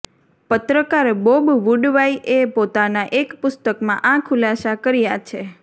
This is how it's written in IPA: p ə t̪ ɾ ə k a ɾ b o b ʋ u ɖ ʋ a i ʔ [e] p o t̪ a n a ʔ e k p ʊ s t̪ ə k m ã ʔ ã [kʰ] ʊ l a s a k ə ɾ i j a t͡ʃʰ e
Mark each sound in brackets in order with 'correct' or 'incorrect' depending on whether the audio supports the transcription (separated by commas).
correct, correct